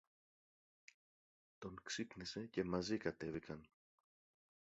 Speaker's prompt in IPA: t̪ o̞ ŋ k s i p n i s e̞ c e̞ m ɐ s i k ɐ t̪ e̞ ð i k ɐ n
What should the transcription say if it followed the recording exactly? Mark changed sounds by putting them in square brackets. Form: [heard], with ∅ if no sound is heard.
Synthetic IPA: t̪ o̞ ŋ k s i p n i s e̞ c e̞ m ɐ [z] i k ɐ t̪ e̞ [v] i k ɐ n